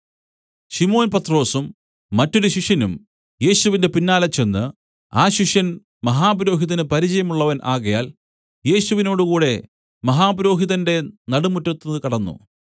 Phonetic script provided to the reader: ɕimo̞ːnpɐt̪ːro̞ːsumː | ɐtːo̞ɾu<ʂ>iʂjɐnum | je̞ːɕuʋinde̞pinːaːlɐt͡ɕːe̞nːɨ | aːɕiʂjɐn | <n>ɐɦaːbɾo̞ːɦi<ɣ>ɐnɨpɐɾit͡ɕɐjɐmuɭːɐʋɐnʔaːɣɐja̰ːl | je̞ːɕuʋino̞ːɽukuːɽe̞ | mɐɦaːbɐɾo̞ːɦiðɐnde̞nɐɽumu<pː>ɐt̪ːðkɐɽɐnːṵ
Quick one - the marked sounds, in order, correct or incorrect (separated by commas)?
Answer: incorrect, incorrect, incorrect, incorrect